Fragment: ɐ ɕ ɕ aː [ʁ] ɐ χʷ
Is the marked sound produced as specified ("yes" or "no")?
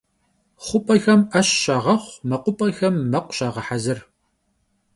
yes